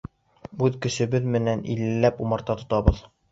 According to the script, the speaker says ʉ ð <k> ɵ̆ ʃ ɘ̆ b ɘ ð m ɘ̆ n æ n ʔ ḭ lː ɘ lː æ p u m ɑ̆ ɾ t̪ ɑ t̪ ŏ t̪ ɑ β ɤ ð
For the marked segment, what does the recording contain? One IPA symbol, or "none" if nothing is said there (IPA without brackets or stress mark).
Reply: k